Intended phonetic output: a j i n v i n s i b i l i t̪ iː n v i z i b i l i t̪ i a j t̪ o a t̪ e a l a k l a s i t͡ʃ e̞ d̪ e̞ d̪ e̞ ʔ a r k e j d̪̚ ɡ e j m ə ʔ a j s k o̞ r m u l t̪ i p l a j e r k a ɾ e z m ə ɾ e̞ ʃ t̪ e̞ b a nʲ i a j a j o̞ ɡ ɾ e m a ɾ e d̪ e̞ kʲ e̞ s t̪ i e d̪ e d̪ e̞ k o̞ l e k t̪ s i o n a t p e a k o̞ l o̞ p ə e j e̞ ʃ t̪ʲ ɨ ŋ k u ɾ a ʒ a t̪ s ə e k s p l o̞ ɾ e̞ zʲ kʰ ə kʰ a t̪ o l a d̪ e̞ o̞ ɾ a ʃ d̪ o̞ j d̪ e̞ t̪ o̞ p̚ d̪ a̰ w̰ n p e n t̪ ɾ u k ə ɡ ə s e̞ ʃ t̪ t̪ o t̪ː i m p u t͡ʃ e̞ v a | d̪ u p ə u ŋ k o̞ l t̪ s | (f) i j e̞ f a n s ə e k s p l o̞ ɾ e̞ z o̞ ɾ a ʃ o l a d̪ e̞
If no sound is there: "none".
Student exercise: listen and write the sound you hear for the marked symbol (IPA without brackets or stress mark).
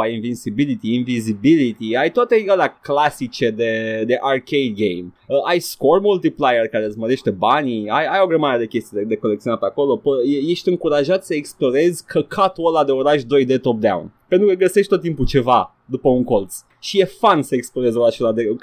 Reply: ʃ